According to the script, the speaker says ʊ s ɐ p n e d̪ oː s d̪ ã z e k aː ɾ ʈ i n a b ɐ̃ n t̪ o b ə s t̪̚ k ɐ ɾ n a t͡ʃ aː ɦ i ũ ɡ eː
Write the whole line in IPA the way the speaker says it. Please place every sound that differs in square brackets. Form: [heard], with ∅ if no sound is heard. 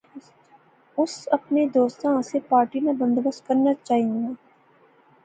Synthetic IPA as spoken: ʊ s ɐ p n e d̪ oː s [t̪] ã [s] e [p] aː ɾ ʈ i n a b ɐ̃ n [d̪] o b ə s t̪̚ k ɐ ɾ n a t͡ʃ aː ɦ i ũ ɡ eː